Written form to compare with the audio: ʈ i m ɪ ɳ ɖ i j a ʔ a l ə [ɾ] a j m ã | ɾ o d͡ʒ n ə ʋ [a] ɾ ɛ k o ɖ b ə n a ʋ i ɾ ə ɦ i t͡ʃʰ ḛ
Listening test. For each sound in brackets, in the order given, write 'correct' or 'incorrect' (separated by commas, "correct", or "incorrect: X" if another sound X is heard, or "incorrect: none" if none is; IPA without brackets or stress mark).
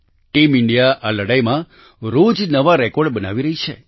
incorrect: ɽ, correct